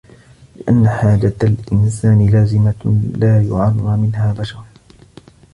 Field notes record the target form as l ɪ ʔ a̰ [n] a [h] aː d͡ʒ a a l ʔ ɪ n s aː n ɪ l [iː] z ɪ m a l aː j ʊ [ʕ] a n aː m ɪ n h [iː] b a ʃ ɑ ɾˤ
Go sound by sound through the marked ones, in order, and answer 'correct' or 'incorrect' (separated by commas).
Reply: incorrect, incorrect, incorrect, correct, incorrect